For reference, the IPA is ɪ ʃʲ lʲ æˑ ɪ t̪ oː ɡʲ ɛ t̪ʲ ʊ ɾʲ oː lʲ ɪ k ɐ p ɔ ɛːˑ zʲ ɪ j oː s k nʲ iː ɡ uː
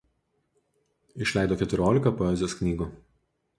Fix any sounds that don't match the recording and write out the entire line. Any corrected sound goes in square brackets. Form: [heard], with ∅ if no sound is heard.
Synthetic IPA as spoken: ɪ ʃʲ lʲ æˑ ɪ [d̪] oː [kʲ] ɛ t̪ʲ ʊ ɾʲ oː lʲ ɪ k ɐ p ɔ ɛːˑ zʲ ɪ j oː s k nʲ iː ɡ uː